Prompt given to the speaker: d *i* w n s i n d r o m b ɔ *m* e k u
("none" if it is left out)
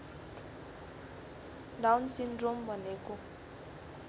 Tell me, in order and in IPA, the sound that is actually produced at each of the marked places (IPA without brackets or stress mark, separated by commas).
a, n